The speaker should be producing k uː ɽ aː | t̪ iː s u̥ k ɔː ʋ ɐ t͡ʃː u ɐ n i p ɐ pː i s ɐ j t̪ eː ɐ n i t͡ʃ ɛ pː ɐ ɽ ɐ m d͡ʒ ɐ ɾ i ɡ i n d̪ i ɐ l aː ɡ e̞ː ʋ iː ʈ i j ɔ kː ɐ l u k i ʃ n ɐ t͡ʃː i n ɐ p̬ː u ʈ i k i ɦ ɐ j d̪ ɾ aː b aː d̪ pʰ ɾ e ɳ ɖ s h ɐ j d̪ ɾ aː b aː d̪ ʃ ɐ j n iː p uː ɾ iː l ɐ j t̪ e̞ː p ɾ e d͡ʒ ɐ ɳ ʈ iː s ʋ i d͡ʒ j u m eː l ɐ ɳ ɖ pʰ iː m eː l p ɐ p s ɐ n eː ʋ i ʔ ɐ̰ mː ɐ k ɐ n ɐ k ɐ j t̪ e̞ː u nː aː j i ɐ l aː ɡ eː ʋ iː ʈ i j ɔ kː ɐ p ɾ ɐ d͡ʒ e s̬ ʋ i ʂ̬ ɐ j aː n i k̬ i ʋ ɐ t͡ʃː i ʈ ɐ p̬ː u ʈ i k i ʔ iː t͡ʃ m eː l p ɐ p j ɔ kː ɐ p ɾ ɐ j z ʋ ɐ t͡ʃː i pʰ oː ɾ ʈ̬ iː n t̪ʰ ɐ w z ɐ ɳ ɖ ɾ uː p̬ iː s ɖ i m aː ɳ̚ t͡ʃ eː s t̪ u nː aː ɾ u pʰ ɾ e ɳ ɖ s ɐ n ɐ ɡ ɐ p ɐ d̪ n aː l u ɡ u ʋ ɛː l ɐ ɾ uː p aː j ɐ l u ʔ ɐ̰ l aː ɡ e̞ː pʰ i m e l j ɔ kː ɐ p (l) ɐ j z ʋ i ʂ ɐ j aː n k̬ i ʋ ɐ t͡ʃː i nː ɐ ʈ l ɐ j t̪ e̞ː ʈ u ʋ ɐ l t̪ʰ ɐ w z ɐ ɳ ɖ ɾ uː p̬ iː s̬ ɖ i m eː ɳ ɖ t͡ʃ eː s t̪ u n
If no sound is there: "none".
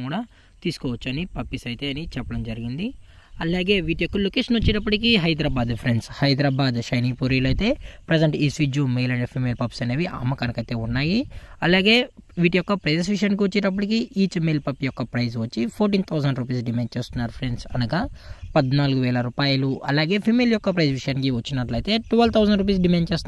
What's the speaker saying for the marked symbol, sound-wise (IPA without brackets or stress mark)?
ɾ